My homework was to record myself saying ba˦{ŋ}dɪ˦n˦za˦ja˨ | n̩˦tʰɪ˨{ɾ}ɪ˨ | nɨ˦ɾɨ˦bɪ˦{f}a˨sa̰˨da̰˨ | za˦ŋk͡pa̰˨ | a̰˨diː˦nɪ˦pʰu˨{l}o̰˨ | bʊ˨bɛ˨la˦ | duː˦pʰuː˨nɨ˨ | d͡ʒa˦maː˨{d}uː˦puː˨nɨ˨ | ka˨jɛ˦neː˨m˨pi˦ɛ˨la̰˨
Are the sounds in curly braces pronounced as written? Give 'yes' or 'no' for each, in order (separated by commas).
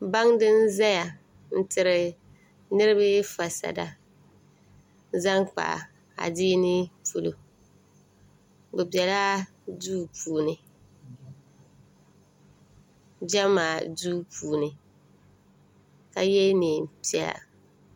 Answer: yes, yes, yes, yes, yes